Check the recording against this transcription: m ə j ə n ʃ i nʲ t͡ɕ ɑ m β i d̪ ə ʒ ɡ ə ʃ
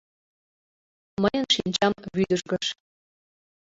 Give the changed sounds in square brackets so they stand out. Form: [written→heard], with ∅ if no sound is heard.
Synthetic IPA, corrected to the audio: m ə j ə n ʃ i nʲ t͡ɕ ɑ m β [i→y] d̪ ə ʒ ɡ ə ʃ